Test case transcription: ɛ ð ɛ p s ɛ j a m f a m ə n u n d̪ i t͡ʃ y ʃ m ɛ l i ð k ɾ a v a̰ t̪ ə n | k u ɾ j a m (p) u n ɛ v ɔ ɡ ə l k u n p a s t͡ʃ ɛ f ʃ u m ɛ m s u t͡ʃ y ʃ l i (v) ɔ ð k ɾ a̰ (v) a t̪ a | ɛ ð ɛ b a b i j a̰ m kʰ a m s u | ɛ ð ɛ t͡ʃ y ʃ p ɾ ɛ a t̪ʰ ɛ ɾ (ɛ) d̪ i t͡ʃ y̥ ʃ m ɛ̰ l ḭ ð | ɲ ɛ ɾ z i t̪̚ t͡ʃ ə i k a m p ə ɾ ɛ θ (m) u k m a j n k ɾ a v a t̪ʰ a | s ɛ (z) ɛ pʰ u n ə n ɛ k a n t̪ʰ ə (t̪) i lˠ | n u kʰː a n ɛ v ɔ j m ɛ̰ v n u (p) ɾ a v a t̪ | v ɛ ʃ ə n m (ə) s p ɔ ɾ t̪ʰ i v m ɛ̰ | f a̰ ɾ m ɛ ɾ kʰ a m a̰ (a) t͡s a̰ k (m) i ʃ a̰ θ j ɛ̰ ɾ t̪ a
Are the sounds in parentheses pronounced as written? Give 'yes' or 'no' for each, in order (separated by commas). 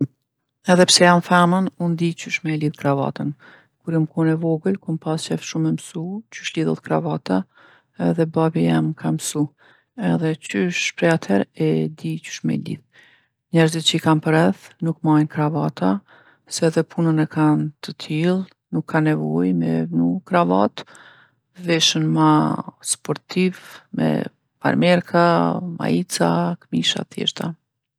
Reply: no, no, yes, yes, no, no, no, no, no, no, yes